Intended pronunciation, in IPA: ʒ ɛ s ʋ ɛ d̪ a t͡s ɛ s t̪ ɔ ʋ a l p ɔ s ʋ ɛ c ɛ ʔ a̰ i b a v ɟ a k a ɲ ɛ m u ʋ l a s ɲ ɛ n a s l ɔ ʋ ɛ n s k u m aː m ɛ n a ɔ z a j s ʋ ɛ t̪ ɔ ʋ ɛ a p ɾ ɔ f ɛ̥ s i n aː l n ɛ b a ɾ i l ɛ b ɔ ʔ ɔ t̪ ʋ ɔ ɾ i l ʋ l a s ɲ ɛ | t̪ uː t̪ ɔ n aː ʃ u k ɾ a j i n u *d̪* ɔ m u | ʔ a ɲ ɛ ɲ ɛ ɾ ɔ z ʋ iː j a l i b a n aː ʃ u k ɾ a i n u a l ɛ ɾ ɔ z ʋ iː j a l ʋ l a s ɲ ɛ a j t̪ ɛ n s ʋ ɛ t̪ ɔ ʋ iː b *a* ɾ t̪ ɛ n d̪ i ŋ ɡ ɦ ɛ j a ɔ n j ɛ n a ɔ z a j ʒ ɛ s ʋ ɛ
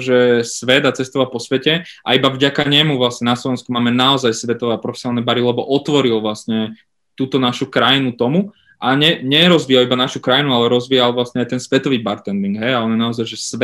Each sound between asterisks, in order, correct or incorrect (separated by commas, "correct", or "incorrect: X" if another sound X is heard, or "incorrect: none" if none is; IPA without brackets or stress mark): incorrect: t̪, correct